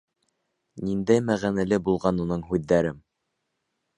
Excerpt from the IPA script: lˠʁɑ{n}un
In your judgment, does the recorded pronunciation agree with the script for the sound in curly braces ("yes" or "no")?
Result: yes